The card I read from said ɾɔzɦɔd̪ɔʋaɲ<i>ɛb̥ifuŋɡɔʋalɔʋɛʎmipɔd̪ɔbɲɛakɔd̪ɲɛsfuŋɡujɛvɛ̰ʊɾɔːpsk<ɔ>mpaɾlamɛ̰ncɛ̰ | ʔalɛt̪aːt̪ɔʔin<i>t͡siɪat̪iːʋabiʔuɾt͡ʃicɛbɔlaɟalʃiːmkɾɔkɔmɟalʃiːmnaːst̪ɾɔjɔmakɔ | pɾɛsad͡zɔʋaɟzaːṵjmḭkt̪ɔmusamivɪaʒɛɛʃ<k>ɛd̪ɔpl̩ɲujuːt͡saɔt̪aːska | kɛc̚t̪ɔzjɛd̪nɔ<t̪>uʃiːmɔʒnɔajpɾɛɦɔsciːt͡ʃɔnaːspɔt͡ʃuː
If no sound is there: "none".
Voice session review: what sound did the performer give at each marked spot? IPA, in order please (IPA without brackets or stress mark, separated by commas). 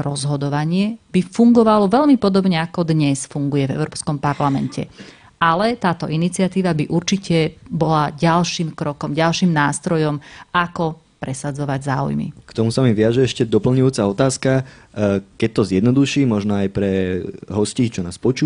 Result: ɪ, ɔ, i, c, d̪